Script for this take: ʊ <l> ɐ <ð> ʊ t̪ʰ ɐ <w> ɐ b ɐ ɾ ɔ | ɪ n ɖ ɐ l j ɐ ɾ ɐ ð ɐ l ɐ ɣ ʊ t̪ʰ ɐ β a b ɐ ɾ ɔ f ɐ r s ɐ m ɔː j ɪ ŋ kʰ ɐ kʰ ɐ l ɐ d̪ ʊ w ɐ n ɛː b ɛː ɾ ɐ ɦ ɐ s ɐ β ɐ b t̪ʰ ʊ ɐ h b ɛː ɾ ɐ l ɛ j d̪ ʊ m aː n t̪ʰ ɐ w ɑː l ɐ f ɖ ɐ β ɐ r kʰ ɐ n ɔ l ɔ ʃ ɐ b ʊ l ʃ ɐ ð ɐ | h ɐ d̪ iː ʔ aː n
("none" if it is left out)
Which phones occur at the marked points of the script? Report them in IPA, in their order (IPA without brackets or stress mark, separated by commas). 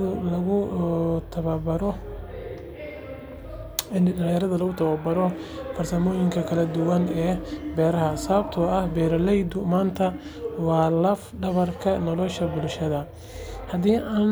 l, ɣ, β